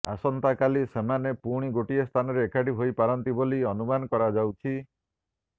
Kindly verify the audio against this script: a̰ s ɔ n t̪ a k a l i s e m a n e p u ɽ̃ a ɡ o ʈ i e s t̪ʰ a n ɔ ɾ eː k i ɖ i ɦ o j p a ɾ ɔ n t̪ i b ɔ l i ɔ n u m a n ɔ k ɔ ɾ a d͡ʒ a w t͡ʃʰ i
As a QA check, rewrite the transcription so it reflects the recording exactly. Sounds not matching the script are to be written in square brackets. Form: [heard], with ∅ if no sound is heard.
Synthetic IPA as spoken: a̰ s ɔ n t̪ a k a l i s e m a n e p u ɽ̃ [i] ɡ o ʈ i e s t̪ʰ a n ɔ ɾ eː k [a] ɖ i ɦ o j p a ɾ ɔ n t̪ i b [o] l i ɔ n u m a n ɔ k ɔ ɾ a d͡ʒ a w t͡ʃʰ i